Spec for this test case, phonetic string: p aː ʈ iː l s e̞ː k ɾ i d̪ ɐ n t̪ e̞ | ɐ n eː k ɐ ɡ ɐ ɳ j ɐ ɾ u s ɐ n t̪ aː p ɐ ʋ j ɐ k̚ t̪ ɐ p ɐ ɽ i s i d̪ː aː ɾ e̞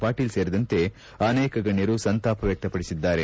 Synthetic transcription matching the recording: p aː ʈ iː l s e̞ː ɾ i d̪ ɐ n t̪ e̞ | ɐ n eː k ɐ ɡ ɐ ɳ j ɐ ɾ u s ɐ n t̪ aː p ɐ ʋ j ɐ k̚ t̪ ɐ p ɐ ɽ i s i d̪ː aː ɾ e̞